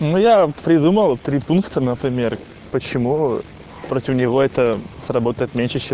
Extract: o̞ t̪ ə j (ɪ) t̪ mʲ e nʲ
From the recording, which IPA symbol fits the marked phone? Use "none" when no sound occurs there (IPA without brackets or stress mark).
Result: ɪ